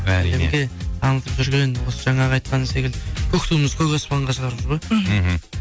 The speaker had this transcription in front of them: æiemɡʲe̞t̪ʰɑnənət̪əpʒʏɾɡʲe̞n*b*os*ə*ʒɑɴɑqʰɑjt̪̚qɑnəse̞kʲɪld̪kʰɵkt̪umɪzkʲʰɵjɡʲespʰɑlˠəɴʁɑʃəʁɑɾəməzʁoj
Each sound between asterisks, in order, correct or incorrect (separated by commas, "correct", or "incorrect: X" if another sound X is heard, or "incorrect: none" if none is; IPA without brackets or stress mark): incorrect: w, correct